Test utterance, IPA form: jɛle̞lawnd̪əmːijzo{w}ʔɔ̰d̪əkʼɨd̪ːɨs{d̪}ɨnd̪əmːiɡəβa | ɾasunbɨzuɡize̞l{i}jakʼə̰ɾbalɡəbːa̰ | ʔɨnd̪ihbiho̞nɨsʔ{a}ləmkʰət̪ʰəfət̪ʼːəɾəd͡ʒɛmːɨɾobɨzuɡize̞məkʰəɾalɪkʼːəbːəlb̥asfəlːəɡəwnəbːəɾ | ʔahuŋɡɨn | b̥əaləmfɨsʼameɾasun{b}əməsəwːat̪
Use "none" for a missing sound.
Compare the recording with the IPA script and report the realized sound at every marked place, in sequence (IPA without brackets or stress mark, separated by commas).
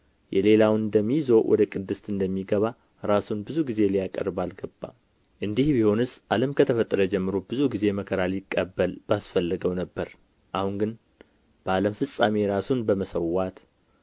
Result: w, t̪, i, a, b